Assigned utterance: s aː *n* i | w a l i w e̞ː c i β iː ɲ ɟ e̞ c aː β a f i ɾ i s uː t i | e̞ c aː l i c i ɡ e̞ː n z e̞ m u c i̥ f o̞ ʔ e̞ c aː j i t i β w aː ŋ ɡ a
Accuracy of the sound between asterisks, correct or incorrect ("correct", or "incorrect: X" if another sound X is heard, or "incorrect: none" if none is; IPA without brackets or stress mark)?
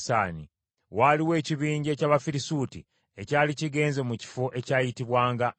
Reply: correct